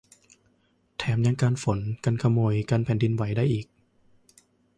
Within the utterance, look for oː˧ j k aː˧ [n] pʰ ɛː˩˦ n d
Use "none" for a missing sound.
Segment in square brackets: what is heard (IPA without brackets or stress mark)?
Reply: n